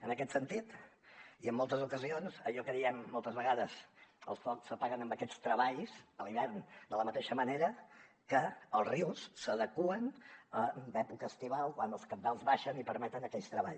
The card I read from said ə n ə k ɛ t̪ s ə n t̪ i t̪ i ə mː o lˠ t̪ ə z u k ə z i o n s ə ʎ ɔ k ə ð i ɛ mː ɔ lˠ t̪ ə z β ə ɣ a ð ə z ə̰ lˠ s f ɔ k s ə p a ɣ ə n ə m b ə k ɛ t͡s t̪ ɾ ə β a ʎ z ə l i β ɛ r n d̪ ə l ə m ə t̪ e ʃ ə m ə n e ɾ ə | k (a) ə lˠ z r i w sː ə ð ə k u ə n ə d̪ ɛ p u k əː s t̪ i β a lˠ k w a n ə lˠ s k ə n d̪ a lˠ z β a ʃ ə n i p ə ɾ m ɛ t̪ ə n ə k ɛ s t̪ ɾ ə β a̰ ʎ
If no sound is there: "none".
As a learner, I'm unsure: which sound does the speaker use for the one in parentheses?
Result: ə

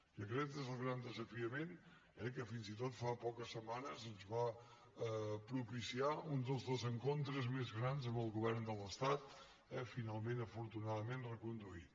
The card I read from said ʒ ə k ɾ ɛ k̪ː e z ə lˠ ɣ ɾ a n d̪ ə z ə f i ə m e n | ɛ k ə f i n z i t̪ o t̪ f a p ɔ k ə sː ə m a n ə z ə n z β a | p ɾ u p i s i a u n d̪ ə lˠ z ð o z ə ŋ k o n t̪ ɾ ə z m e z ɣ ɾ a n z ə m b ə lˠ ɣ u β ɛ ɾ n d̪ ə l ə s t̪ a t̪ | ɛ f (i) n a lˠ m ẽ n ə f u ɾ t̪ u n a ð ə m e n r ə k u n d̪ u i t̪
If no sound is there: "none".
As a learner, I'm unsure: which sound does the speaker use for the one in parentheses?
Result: i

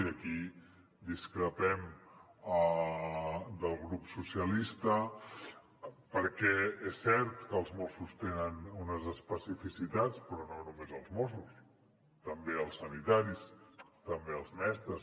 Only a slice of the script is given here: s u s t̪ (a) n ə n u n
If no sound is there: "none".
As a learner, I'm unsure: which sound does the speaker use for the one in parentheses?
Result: e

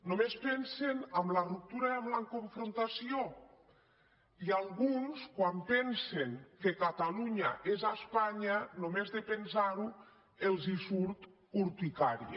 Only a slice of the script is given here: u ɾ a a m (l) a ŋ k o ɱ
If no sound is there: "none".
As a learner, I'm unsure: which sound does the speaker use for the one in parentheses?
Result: l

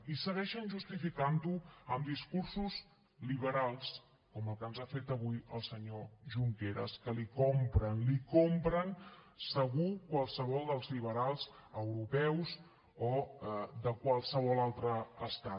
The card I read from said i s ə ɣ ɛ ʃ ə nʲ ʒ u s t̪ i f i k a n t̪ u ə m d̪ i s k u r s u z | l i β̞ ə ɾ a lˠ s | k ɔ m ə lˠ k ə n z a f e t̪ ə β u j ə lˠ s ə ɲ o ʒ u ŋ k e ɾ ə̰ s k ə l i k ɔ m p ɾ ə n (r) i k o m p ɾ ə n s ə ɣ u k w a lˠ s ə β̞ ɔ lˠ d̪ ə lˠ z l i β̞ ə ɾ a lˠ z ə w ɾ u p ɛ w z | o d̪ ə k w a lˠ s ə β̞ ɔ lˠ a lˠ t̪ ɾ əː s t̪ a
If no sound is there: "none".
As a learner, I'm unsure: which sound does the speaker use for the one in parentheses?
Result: l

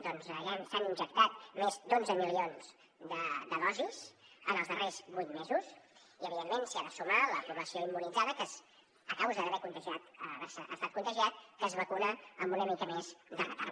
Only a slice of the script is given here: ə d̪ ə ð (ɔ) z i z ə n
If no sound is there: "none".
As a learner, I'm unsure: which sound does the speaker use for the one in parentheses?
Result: ɔ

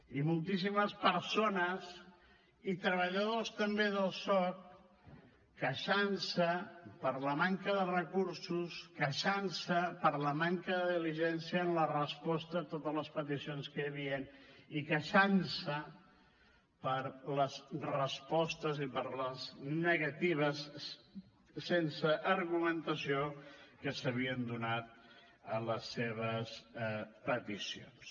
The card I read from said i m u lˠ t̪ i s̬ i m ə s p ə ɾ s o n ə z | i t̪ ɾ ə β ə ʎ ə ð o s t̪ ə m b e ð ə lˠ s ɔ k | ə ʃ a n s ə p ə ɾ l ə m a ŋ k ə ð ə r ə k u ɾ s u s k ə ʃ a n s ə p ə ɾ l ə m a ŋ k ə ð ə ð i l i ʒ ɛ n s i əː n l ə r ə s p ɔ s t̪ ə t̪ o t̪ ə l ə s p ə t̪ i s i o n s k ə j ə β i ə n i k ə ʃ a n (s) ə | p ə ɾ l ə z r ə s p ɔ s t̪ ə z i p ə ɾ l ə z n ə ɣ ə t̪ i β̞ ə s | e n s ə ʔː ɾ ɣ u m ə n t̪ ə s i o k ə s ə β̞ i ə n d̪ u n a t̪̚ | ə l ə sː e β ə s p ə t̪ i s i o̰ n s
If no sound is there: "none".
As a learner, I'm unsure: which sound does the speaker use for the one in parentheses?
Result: s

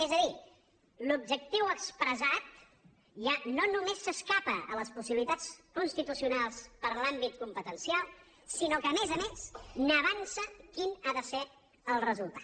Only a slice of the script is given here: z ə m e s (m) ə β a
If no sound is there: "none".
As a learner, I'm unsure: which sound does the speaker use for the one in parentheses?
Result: n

